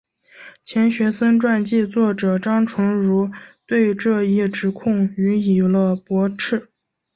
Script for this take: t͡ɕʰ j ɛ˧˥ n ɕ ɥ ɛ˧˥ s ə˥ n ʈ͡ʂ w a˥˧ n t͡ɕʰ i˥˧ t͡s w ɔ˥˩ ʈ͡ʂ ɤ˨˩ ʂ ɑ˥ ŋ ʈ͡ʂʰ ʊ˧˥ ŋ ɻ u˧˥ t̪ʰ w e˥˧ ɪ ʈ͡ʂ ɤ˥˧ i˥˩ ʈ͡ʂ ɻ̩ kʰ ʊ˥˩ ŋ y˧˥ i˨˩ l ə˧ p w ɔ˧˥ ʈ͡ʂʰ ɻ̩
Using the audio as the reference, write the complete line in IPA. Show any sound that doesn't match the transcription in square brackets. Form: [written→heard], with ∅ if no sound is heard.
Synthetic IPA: t͡ɕʰ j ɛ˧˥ n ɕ ɥ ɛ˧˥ s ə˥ n ʈ͡ʂ w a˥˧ n [t͡ɕʰ→t͡ɕ] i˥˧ t͡s w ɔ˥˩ ʈ͡ʂ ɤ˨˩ [ʂ→ʈ͡ʂ] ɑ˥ ŋ ʈ͡ʂʰ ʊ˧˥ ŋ ɻ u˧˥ [t̪ʰ→t̪] w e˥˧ ɪ ʈ͡ʂ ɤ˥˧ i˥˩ ʈ͡ʂ ɻ̩ kʰ ʊ˥˩ ŋ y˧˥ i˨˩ l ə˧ p w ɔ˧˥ ʈ͡ʂʰ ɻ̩